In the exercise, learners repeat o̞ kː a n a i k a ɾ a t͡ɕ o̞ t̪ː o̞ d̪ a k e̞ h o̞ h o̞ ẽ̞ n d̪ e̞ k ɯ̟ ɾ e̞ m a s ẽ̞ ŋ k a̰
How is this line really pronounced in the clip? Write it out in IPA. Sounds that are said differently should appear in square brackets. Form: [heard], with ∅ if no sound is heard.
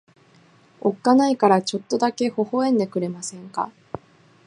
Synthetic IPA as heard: o̞ kː a n a i k a ɾ a t͡ɕ o̞ t̪ː o̞ d̪ a k e̞ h o̞ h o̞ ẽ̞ n d̪ e̞ k ɯ̟ ɾ e̞ m a s ẽ̞ ŋ k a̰